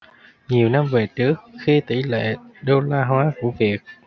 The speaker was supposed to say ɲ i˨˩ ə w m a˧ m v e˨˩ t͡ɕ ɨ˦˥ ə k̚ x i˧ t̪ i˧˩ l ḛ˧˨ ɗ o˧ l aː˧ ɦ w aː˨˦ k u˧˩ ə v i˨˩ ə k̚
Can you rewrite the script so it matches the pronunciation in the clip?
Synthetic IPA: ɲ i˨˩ ə w n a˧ m v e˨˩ t͡ɕ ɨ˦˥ ə k̚ x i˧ t̪ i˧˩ l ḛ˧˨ ɗ o˧ l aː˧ ɦ w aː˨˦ k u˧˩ ə v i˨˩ ə k̚

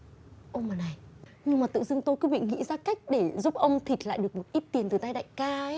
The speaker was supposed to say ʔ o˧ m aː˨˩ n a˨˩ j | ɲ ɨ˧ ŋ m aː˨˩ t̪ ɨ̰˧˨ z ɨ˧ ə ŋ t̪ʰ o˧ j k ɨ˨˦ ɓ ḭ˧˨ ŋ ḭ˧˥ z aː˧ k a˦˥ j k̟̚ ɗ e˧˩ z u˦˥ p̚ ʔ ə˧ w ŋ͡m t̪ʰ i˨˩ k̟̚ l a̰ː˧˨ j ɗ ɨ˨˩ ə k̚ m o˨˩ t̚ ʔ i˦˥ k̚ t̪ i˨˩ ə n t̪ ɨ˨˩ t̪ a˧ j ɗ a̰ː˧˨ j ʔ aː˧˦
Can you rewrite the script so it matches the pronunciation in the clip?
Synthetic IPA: ʔ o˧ m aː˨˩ n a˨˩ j | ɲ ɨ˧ ŋ m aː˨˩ t̪ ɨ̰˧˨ z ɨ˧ ə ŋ t̪ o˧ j k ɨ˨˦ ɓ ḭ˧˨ ŋ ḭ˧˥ z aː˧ k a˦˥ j k̟̚ ɗ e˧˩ z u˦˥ p̚ ʔ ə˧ w ŋ͡m t̪ʰ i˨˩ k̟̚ l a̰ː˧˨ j ɗ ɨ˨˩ ə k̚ m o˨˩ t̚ ʔ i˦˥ t̚ t̪ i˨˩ ə n t̪ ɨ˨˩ t̪ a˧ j ɗ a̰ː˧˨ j k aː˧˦

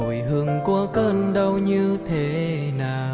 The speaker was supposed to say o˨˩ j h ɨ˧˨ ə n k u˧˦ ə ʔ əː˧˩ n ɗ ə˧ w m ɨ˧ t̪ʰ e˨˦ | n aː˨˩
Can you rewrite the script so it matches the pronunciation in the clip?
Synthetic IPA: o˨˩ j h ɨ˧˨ ə ŋ k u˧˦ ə k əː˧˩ n ɗ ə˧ w ɲ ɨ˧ t̪ʰ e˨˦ | n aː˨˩

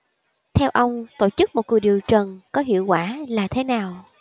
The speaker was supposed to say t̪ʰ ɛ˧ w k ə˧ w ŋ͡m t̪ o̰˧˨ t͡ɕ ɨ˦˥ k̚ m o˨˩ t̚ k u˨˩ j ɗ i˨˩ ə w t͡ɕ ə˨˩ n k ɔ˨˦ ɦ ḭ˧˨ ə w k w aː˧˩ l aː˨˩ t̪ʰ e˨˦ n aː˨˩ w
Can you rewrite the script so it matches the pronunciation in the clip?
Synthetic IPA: t̪ʰ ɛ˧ w ʔ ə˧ w ŋ͡m t̪ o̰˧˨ t͡ɕ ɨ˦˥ k̚ m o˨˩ t̚ k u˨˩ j ɗ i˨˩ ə w t͡ɕ ə˨˩ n k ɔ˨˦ ɦ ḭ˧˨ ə w k w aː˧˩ l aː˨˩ t̪ʰ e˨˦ n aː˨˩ w

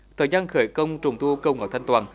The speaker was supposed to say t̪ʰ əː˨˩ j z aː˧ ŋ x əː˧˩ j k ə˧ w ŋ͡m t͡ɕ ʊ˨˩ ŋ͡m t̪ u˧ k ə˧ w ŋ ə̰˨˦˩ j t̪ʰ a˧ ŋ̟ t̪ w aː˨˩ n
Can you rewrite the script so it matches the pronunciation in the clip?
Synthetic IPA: t̪ʰ əː˨˩ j z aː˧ n x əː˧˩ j k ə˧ w ŋ͡m t͡ɕ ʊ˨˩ ŋ͡m t̪ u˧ k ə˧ w ŋ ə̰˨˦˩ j t̪ʰ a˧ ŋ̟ t̪ w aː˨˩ n

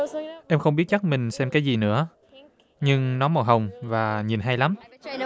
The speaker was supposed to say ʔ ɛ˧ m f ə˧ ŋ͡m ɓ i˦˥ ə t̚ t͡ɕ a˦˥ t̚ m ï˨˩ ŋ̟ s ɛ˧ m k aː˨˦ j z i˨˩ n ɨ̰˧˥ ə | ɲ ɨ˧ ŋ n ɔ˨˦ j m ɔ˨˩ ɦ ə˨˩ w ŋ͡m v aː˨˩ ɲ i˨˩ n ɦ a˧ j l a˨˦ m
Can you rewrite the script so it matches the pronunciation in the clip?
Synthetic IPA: ʔ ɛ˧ m x ə˧ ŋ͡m ɓ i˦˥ ə t̚ t͡ɕ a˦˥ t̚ m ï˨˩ ŋ̟ s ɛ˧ m k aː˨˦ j z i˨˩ n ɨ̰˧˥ ə | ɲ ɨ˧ ŋ n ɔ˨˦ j m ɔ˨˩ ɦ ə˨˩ w ŋ͡m v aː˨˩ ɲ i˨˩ n ɦ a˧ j l a˨˦ m

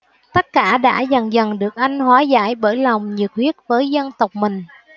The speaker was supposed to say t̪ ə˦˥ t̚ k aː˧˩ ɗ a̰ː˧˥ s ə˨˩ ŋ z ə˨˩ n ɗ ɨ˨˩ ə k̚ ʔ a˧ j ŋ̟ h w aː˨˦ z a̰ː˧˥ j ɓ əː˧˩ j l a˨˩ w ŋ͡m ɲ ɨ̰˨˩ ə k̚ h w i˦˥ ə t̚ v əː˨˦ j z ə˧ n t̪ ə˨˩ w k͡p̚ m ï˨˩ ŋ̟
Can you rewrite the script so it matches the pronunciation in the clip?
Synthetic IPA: t̪ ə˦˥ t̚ k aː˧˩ ɗ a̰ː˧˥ z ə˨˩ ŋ z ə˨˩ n ɗ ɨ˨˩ ə k̚ ʔ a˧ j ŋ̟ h w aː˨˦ z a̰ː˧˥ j ɓ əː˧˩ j l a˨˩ w ŋ͡m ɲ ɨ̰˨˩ ə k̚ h w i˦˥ ə t̚ v əː˨˦ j z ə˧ n t̪ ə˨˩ w k͡p̚ m ï˨˩ ŋ̟

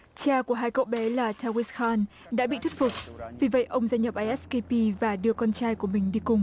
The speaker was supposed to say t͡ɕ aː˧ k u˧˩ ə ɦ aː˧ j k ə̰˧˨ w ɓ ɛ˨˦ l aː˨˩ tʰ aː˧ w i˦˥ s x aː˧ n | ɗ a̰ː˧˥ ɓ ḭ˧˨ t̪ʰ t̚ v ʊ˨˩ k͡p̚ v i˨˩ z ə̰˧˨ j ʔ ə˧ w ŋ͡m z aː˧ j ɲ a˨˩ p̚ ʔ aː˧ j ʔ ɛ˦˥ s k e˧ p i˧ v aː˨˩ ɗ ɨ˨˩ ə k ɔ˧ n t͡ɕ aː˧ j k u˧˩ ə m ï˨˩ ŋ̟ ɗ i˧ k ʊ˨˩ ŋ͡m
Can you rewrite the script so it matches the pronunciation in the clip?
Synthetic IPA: t͡ɕ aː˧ k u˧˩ ə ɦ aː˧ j k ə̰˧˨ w ɓ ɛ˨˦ l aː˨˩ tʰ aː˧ w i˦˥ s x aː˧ n | ɗ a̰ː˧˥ ɓ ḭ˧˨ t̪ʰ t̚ f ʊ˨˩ k͡p̚ v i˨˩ v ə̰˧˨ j ʔ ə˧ w ŋ͡m z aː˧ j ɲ ə˨˩ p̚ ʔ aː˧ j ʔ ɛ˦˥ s k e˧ p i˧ v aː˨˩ ɗ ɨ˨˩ ə k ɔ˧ n t͡ɕ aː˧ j k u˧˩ ə m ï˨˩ ŋ̟ ɗ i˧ k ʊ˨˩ ŋ͡m

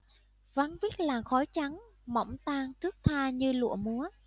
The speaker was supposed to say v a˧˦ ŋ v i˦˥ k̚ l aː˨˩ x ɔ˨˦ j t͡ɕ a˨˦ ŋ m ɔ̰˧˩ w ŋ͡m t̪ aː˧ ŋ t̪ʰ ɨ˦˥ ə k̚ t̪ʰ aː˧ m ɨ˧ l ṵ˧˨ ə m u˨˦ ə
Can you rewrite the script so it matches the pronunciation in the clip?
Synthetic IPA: v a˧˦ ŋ v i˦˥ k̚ l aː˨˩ x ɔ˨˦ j t͡ɕ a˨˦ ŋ m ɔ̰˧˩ w ŋ͡m t̪ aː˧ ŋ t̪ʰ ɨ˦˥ ə k̚ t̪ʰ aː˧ ɲ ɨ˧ l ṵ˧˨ ə m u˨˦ ə

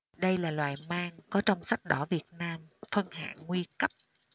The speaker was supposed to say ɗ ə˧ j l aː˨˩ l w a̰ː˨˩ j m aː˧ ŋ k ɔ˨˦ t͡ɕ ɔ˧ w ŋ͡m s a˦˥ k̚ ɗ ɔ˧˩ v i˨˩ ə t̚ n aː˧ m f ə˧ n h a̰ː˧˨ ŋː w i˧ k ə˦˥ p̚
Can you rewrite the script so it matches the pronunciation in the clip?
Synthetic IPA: ɗ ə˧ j l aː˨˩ l w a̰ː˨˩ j m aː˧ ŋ k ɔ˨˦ t͡ɕ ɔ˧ w ŋ͡m s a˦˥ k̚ ɗ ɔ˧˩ v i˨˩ ə t̚ n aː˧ m f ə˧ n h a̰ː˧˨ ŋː w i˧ k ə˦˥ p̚

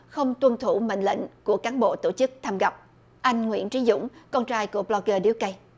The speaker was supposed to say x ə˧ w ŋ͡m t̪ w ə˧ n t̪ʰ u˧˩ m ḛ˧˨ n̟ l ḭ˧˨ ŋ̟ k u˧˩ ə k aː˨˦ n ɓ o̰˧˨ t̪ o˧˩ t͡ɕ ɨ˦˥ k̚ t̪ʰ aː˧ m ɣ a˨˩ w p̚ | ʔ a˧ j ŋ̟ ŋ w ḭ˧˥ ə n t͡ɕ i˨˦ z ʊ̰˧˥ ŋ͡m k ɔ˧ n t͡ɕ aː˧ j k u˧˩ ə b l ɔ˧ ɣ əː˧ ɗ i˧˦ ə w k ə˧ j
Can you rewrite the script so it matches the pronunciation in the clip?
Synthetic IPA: x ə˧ w ŋ͡m t̪ w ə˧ n t̪ʰ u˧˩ m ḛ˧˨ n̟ l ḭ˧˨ ŋ̟ k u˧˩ ə k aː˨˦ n ɓ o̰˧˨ t̪ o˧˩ t͡ɕ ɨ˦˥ k̚ t̪ʰ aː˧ m ɣ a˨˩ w p̚ | ʔ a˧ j ŋ̟ ŋ w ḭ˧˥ ə n t͡ɕ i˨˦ z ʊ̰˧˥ ŋ͡m k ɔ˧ n t͡ɕ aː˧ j k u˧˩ ə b l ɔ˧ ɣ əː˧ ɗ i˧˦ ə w k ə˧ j

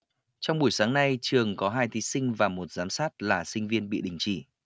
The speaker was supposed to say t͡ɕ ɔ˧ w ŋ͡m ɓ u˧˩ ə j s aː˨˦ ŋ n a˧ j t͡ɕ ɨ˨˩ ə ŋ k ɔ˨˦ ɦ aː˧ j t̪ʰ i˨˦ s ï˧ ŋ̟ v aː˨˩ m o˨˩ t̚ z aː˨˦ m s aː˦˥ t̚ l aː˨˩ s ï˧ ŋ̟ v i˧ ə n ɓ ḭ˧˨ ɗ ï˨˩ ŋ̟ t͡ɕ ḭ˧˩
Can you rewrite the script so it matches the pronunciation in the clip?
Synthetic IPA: t͡ɕ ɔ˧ w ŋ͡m ɓ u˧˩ ə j s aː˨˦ ŋ n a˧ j t͡ɕ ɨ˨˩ ə ŋ k ɔ˨˦ ɦ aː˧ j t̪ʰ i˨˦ s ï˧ ŋ̟ v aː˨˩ m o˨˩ t̚ z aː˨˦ m s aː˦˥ t̚ l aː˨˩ s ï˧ ŋ̟ v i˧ ə n ɓ ḭ˧˨ ɗ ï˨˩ ŋ̟ t͡ɕ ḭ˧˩

